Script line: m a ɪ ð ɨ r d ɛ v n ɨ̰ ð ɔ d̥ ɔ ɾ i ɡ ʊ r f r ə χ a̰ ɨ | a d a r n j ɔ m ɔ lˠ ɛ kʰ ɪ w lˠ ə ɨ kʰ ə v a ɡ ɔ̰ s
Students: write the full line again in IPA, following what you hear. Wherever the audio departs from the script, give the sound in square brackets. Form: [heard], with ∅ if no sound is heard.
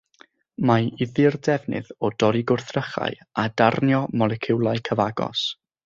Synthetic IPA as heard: m a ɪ ð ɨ r d ɛ v n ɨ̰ ð ɔ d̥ ɔ ɾ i ɡ ʊ r [θ] r ə χ a̰ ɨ | a d a r n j ɔ m ɔ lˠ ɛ kʰ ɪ w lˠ [a] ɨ kʰ ə v a ɡ ɔ̰ s